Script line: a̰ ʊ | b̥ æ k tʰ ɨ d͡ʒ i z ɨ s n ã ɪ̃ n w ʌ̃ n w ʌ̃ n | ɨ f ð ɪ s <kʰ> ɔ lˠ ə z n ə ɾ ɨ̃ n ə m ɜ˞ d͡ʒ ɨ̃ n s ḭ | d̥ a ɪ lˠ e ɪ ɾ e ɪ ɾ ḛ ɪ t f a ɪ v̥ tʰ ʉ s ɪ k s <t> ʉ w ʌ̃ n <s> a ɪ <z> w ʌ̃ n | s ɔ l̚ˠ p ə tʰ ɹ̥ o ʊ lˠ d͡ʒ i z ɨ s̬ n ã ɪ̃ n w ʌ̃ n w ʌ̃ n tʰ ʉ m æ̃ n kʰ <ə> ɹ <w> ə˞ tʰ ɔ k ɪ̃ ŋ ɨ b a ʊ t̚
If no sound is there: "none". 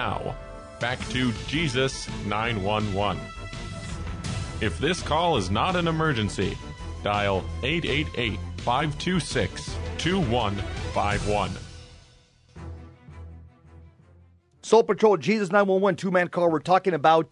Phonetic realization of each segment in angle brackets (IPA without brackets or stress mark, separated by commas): kʰ, tʰ, f, v, ɑ, w